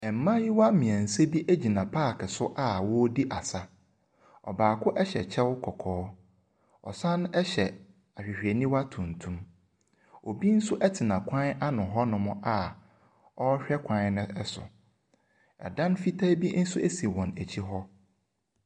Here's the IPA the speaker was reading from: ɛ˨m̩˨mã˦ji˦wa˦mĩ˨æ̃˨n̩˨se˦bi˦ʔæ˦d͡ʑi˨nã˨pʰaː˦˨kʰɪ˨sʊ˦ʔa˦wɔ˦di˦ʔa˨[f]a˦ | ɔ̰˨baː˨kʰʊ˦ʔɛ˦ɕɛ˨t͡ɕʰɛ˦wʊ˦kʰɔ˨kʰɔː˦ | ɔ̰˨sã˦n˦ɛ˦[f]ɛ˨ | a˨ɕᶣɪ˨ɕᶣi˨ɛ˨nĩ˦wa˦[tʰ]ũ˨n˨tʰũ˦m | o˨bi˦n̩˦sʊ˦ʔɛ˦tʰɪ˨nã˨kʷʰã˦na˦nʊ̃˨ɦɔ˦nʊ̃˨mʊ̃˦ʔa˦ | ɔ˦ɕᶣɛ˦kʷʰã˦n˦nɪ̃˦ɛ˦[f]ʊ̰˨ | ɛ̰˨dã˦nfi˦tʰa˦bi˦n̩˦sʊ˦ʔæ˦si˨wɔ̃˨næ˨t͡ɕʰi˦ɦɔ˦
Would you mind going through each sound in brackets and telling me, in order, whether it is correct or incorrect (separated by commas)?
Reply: incorrect, incorrect, correct, incorrect